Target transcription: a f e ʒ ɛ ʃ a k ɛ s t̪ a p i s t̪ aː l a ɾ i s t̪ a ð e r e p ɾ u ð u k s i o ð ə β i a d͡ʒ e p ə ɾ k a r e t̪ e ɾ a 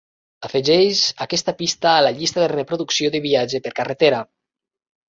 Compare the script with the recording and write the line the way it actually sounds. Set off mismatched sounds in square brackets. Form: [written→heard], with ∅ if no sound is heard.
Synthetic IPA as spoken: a f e ʒ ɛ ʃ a k ɛ s t̪ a p i s t̪ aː l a [ɾ→ʎ] i s t̪ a ð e r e p ɾ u ð u k s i o ð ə β i a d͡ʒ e p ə ɾ k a r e t̪ e ɾ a